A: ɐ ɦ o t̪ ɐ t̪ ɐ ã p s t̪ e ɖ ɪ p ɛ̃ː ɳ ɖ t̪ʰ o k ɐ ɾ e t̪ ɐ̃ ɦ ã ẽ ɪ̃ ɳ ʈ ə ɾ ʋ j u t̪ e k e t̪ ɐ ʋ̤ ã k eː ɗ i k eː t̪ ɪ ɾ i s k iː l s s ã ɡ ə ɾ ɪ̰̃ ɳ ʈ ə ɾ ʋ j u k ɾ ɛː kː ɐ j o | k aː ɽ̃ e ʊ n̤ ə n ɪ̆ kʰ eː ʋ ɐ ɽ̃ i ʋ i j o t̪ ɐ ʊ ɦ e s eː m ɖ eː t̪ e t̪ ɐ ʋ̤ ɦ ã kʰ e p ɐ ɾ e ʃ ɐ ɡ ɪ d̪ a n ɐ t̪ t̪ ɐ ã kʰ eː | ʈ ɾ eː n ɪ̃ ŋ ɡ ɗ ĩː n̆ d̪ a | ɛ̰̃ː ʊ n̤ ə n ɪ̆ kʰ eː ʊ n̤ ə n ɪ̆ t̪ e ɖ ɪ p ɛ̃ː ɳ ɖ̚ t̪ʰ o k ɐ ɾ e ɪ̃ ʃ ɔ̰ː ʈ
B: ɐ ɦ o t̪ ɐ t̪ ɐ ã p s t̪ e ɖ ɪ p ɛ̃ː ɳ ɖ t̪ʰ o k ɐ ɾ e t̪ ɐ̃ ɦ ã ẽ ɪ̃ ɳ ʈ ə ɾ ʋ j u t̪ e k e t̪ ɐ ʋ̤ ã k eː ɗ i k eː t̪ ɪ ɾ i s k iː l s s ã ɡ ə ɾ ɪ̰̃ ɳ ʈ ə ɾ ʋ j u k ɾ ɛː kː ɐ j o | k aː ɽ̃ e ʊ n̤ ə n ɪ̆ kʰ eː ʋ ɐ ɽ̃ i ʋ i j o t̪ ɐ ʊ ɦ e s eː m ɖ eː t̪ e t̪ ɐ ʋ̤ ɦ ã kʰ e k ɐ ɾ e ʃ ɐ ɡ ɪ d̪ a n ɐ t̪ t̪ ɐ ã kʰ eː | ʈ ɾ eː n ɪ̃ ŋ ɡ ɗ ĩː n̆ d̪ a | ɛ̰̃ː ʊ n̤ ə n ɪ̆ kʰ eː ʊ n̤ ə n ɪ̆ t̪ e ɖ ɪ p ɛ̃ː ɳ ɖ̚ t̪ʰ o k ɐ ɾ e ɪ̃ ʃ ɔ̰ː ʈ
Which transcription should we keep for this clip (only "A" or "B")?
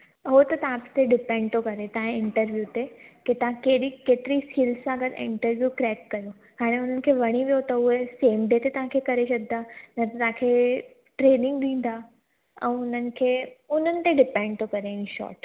B